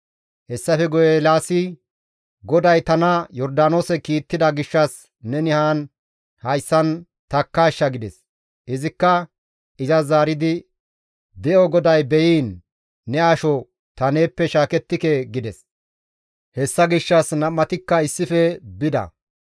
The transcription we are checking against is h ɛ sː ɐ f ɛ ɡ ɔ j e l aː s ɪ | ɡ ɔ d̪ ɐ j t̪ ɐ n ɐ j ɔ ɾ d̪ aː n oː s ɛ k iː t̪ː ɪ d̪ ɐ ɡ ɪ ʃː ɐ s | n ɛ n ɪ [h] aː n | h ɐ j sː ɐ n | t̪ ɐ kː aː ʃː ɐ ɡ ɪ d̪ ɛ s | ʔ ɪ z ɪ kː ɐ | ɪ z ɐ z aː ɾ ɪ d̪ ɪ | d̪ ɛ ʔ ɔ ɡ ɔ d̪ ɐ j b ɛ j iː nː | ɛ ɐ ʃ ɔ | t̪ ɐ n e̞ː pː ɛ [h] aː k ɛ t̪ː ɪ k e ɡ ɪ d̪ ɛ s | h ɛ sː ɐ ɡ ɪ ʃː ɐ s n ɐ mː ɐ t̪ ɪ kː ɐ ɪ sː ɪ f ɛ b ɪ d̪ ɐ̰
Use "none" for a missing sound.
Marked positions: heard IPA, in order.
h, ʃ

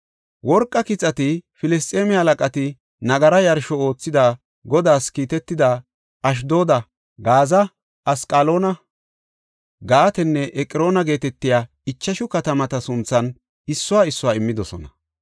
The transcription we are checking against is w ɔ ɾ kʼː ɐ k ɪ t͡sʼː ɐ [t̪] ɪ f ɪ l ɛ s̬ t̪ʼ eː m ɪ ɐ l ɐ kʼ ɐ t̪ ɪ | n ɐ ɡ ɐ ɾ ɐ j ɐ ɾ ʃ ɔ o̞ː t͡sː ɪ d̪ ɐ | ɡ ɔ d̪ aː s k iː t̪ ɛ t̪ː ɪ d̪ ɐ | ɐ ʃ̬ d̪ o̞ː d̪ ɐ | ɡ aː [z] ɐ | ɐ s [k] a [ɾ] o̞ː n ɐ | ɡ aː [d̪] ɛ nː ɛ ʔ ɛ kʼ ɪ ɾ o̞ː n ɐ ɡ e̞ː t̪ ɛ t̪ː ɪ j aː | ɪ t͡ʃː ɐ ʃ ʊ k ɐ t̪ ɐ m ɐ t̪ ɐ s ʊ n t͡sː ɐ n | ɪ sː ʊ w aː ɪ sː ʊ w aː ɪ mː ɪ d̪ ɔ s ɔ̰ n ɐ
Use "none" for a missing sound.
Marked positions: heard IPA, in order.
t̪, z, kʼ, l, t̪

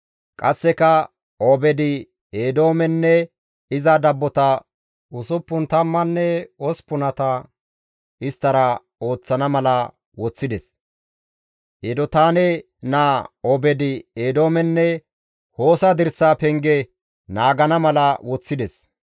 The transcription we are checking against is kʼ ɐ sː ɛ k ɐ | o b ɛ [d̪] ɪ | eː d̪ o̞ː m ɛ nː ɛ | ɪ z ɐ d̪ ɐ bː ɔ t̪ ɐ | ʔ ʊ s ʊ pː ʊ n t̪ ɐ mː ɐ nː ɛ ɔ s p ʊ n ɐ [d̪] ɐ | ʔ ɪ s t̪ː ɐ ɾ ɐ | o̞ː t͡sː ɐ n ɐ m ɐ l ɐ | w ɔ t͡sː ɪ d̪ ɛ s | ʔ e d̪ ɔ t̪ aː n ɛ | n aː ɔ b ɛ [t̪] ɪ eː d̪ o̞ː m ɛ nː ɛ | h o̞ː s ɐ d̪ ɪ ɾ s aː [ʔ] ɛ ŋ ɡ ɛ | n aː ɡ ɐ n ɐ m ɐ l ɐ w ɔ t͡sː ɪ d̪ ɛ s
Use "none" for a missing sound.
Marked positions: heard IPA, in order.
d̪, t̪, d̪, p

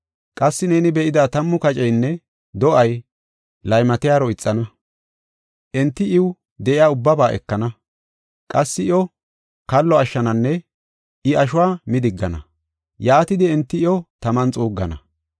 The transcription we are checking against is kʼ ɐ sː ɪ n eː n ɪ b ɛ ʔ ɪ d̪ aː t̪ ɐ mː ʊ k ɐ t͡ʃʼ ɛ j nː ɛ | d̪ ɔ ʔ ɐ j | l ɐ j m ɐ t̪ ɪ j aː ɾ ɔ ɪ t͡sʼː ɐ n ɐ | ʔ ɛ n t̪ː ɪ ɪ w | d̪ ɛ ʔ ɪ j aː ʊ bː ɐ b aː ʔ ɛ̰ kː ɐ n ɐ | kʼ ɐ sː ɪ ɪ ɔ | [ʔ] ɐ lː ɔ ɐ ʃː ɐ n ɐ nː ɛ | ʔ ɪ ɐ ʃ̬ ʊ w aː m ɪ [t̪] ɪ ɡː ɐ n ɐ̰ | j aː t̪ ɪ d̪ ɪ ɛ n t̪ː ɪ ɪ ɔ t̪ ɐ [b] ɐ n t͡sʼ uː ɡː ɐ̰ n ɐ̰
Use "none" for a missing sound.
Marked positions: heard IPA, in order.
k, d̪, m

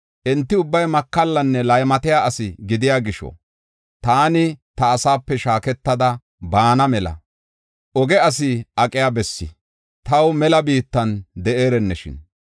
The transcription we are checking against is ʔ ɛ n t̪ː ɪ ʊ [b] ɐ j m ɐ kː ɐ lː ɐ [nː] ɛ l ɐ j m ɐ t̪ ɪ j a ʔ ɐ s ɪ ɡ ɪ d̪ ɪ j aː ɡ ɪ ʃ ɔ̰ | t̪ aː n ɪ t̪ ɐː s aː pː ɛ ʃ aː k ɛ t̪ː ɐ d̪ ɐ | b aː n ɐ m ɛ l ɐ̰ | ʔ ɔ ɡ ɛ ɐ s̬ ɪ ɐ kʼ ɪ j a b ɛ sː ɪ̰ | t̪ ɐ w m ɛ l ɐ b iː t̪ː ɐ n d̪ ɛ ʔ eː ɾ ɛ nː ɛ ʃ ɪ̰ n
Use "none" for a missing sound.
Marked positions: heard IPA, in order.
bː, nː

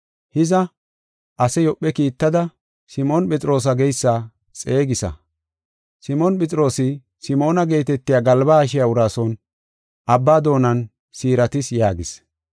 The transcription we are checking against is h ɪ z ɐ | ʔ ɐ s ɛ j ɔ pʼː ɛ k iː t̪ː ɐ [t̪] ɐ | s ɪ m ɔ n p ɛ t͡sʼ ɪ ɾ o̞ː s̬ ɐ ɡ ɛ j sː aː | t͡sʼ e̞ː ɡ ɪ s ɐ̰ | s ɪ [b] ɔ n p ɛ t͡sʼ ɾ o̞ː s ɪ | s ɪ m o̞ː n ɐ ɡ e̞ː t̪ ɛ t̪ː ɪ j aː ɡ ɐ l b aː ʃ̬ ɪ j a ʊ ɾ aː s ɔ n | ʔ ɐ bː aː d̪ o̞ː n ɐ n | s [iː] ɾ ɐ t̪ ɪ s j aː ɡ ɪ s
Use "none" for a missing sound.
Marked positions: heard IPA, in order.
d̪, m, iː

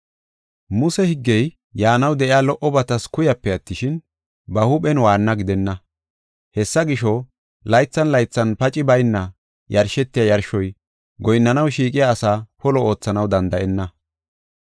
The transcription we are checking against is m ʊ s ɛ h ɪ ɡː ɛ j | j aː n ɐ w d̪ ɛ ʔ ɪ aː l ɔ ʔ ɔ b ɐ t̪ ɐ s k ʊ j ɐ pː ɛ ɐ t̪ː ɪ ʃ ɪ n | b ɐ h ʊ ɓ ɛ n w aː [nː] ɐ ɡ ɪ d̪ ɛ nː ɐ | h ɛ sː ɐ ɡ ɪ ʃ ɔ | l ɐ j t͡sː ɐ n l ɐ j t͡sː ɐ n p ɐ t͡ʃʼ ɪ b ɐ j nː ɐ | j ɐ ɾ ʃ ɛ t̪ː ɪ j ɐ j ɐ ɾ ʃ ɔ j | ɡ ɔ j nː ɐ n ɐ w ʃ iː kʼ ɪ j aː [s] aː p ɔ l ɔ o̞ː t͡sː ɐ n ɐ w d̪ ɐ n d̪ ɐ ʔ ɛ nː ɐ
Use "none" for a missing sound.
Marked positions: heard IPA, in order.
nː, s

